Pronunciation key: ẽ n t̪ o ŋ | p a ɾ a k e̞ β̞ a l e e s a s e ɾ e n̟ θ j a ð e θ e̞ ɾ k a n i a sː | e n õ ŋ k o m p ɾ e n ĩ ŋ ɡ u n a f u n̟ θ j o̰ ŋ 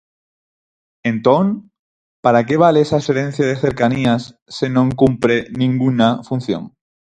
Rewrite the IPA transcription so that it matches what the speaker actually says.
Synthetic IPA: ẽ n t̪ o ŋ | p a ɾ a k e̞ β̞ a l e e s a s e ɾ e n̟ θ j a ð e θ e̞ ɾ k a n i a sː | e n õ ŋ k u m p ɾ e n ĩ ŋ ɡ u n a f u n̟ θ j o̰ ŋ

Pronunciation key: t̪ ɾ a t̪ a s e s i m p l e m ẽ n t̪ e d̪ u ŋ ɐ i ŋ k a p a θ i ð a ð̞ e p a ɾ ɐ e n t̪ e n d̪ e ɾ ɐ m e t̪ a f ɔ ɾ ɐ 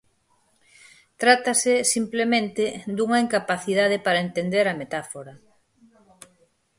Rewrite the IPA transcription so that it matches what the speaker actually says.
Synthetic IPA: t̪ ɾ a t̪ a s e s i m p l e m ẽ n t̪ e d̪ u ŋ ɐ i ŋ k a p a θ i ð a ð̞ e p a ɾ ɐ e n t̪ e n d̪ e ɾ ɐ m e t̪ a f o ɾ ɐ

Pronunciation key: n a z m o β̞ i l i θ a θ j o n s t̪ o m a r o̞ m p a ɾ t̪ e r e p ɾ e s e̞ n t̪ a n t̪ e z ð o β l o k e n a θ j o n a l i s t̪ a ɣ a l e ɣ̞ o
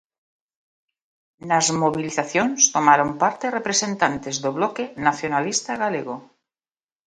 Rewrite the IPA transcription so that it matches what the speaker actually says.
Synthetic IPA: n a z m o β̞ i l i θ a θ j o n s t̪ o m a ɾ o̞ m p a ɾ t̪ e r e p ɾ e s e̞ n t̪ a n t̪ e z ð o β l o k e n a θ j o n a l i s t̪ a ɣ a l e ɣ̞ o

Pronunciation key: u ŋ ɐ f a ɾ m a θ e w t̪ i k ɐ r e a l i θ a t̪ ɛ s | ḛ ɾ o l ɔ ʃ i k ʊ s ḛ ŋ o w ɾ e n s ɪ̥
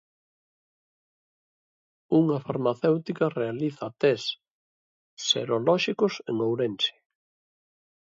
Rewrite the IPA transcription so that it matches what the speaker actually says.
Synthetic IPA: u ŋ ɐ f a ɾ m a θ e w t̪ i k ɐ r e a l i θ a t̪ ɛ s | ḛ ɾ o l ɔ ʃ i k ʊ s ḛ ŋ o w ɾ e n s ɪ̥

